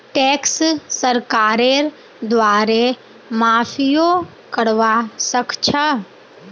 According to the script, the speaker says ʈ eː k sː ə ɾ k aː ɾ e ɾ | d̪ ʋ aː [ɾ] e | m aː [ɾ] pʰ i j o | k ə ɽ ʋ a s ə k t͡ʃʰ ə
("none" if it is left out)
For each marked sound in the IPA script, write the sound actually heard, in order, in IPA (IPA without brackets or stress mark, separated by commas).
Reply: ɾ, none